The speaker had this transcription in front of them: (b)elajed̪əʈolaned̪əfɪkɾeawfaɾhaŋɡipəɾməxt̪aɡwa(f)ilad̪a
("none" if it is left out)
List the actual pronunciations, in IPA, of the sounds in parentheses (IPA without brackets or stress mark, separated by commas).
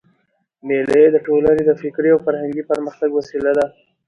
m, s